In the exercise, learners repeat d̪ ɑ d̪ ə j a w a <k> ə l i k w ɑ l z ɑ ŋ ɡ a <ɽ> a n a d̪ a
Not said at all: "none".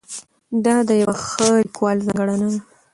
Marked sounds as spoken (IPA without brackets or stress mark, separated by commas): x, ɽ